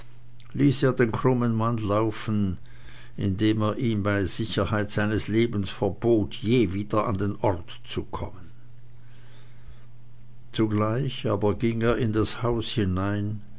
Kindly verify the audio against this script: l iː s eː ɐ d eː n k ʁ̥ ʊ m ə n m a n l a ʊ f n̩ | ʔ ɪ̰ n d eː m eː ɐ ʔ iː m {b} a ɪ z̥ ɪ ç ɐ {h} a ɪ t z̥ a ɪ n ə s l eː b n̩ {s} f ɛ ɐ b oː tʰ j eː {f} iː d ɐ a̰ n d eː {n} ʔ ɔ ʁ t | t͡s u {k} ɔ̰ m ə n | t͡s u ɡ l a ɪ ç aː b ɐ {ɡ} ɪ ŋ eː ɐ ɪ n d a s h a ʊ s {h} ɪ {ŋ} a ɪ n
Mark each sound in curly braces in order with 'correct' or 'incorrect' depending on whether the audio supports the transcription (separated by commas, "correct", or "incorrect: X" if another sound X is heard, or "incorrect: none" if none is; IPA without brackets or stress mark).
correct, correct, correct, incorrect: v, correct, incorrect: kʰ, correct, correct, incorrect: n